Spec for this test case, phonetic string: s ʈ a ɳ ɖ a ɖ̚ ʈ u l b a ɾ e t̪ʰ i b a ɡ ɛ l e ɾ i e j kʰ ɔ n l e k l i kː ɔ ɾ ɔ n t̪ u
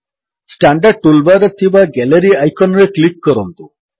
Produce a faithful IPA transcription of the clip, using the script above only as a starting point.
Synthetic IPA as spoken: s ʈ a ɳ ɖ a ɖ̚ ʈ u l b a ɾ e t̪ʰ i b a ɡ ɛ l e ɾ i a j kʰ ɔ n ɾ e k l i kː ɔ ɾ ɔ n t̪ u